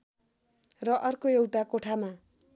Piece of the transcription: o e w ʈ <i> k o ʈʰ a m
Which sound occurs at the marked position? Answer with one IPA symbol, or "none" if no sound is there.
a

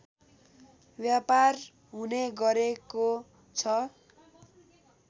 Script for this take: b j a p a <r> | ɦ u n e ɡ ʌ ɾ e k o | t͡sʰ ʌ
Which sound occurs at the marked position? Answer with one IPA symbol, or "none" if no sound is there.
r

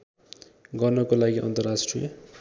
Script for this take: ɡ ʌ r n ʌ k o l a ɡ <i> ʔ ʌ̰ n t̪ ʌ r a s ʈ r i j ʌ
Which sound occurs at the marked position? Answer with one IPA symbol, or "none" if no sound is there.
i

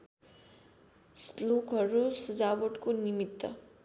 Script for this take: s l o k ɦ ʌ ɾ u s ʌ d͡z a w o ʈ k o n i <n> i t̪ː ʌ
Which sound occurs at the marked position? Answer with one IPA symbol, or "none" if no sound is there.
m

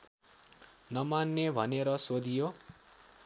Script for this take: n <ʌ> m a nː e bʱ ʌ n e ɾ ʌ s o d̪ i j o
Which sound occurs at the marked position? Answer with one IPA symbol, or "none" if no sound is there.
ʌ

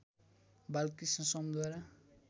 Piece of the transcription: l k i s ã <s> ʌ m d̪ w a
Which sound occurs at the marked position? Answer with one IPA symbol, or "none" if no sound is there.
s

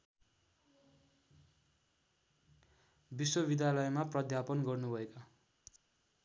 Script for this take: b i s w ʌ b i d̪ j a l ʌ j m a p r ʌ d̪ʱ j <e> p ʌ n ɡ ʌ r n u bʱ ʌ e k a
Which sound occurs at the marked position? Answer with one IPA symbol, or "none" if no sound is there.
a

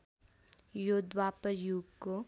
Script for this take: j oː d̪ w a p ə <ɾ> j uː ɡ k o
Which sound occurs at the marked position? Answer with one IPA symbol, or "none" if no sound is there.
ɾ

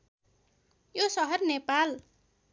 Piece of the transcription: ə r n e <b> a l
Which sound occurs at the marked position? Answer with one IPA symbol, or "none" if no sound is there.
p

